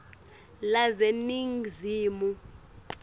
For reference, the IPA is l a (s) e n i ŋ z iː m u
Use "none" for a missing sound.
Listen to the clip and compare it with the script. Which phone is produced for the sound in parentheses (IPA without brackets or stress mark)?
z